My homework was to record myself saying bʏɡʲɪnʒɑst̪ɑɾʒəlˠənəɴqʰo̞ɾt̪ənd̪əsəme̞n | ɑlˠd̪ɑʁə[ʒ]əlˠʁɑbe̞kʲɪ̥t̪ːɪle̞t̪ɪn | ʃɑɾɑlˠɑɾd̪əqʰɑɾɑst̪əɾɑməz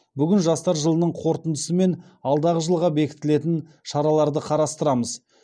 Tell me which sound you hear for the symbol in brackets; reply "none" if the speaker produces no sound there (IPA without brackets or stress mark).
ʒ